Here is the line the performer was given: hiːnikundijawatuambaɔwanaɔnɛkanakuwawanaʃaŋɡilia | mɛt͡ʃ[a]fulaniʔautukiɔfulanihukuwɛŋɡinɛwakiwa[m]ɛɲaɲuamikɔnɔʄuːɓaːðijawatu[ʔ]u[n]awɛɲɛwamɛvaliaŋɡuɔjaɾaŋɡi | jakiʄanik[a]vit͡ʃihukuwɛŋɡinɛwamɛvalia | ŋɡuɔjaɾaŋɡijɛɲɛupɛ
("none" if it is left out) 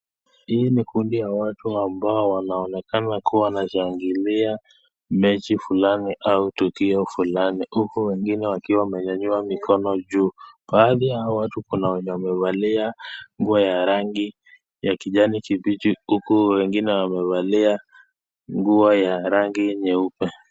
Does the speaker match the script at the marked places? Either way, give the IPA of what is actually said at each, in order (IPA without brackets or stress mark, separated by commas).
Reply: i, m, k, n, i